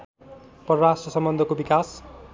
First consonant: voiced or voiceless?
voiceless